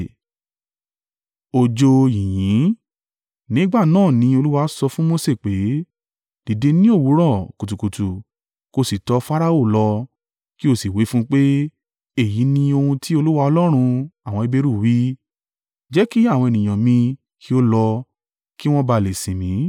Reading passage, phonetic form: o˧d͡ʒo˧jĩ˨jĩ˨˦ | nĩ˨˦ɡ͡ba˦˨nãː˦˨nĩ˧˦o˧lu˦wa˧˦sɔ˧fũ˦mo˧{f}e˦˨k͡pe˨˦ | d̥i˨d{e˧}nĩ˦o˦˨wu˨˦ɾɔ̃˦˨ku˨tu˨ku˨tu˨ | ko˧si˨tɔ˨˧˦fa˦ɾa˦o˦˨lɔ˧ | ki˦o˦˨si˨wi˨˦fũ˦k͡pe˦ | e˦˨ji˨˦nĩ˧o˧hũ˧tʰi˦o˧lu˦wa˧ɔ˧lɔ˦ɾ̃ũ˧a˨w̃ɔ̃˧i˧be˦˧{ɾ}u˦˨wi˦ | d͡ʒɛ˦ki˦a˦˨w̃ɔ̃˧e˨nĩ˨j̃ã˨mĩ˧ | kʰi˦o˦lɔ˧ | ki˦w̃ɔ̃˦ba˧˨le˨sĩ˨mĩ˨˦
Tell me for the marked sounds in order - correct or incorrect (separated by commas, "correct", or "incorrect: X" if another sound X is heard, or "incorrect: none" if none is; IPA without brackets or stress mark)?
incorrect: s, correct, correct